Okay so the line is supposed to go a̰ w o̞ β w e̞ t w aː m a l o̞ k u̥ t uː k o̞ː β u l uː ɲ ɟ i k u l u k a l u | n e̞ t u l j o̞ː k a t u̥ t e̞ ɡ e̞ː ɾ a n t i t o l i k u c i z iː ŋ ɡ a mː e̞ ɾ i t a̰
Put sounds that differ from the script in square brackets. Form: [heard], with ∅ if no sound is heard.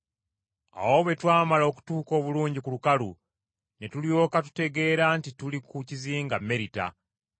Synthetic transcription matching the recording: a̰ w o̞ β w e̞ t w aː m a l o̞ k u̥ t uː k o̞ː β u l uː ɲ ɟ i k u l u k a l u | n e̞ t u l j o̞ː k a t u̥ t e̞ ɡ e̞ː ɾ a n t i t [u] l i k u c i z iː ŋ ɡ a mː e̞ ɾ i t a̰

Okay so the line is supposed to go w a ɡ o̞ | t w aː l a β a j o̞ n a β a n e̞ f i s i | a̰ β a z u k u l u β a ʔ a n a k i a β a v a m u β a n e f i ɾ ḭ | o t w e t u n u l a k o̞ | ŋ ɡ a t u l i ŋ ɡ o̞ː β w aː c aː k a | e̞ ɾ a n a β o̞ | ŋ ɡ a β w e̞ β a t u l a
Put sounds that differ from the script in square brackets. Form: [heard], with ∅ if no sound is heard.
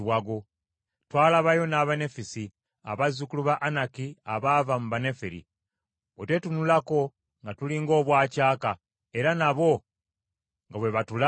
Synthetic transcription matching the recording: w a ɡ o̞ | t w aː l a β a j o̞ n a β a n e̞ f i s i | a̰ β a z u k u l u β a ʔ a n a k i a β a v a m u β a n e f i ɾ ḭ | o t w e t u n u l a k o̞ | ŋ ɡ a t u l i ŋ ɡ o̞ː β w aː c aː k a | e̞ ɾ a n a β o̞ | ŋ ɡ a β w e̞ β a t u l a

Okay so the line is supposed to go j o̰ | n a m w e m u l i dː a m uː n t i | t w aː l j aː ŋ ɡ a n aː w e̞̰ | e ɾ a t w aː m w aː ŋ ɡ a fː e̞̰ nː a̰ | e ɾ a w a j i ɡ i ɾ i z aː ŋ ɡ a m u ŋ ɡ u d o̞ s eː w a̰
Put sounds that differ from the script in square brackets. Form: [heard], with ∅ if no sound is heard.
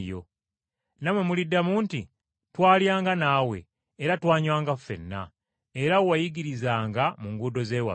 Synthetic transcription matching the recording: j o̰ | n a m w e m u l i dː a m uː n t i | t w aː l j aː ŋ ɡ a n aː w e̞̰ | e ɾ a t w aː [ɲ] w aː ŋ ɡ a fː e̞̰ nː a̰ | e ɾ a w a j i ɡ i ɾ i z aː ŋ ɡ a m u ŋ ɡ u d o̞ [z] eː w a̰

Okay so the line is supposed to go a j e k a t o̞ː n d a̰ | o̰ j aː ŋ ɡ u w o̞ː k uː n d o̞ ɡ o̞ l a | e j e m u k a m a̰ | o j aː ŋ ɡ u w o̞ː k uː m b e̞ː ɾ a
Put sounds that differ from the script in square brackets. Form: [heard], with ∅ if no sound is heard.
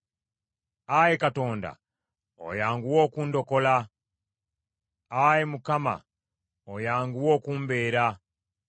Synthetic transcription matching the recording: a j e k a t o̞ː n d a̰ | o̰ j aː ŋ ɡ u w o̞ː k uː n d o̞ [k] o̞ l a | [a] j e m u k a m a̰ | o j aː ŋ ɡ u w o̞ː k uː m b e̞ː ɾ a

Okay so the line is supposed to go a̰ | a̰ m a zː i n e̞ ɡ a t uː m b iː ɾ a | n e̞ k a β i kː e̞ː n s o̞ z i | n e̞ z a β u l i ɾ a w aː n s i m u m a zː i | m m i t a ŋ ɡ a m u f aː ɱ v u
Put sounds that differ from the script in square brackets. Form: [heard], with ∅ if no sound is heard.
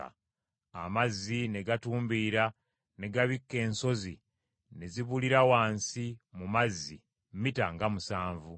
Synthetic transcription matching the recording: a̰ | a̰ m a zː i n e̞ ɡ a t uː m b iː ɾ a | n e̞ [ɡ] a β i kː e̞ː n s o̞ z i | n e̞ z [i] β u l i ɾ a w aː n s i m u m a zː i | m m i t a ŋ ɡ a m u [s] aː ɱ v u

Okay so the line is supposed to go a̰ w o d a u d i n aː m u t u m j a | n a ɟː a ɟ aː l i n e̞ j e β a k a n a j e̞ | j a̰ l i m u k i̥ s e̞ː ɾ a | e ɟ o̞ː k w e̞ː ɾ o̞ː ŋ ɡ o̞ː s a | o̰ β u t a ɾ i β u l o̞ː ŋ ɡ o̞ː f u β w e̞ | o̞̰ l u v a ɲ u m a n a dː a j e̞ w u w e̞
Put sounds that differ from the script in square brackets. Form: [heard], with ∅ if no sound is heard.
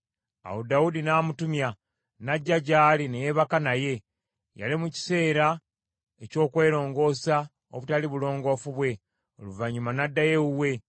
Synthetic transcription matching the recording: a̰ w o d a u d i n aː m u t u m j a | n a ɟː a ɟ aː l i n e̞ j e β a k a n a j e̞ | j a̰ l i m u [c] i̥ s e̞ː ɾ a | e [c] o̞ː k w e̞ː ɾ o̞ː ŋ ɡ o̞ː s a | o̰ β u t a [l] i β u l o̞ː ŋ ɡ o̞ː f u β w e̞ | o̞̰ l u v a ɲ u m a n a dː a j e̞ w u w e̞

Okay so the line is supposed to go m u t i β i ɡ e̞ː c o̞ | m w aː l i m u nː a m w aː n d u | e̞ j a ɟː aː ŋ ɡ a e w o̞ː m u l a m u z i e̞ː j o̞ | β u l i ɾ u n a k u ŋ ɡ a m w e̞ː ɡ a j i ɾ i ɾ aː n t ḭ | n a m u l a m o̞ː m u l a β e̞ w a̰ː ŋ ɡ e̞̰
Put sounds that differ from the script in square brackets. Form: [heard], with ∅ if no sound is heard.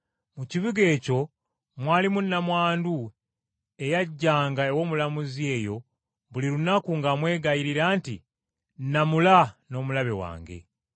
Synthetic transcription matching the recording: m u [c] i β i ɡ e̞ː c o̞ | m w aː l i m u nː a m w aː n d u | e̞ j a ɟː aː ŋ ɡ a e w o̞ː m u l a m u z i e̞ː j o̞ | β u l i ɾ u n a k u ŋ ɡ a m w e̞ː ɡ a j i ɾ i ɾ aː n t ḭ | n a m u l a [n] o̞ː m u l a β e̞ w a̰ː ŋ ɡ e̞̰

